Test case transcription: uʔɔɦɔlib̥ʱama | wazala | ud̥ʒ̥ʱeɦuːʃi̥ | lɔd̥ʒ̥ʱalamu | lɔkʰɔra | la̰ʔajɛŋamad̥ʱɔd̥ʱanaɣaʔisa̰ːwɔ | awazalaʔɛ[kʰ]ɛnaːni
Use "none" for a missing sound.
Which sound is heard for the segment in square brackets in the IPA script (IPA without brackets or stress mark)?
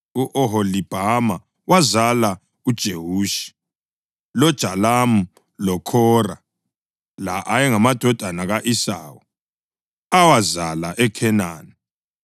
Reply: kʰ